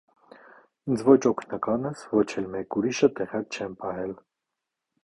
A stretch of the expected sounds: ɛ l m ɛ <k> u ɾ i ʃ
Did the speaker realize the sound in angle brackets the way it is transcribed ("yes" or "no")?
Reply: yes